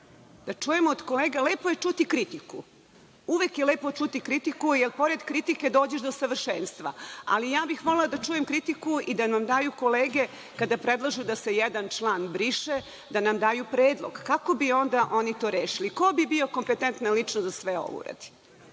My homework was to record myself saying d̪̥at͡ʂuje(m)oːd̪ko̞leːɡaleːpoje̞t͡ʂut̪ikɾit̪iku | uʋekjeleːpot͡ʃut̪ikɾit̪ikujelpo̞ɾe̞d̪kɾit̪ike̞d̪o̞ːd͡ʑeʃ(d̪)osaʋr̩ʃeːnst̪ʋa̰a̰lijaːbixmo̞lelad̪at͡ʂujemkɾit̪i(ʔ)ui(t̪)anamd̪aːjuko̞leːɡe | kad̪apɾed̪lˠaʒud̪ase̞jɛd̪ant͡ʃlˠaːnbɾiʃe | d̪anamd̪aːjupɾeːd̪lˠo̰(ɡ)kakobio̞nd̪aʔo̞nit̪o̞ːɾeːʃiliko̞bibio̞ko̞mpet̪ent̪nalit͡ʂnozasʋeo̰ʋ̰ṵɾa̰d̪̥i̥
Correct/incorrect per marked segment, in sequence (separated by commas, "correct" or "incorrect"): correct, correct, incorrect, incorrect, correct